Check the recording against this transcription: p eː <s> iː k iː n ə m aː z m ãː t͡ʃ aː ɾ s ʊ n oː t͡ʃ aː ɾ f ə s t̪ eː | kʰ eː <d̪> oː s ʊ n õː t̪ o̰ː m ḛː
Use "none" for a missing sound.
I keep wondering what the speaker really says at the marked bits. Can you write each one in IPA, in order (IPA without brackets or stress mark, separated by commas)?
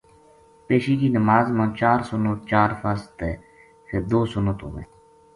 ʃ, d̪